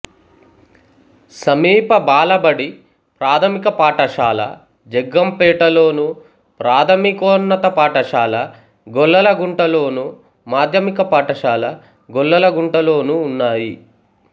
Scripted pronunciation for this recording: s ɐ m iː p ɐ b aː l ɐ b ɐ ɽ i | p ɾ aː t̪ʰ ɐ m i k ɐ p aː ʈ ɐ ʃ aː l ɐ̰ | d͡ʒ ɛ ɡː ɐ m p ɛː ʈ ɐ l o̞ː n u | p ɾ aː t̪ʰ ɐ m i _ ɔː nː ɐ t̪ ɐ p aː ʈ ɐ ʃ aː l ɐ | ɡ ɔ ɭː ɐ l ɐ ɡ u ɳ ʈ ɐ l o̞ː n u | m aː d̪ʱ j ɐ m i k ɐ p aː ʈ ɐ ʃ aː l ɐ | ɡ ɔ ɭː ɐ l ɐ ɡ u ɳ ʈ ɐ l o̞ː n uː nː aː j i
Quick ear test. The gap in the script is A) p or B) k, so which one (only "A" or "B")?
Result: B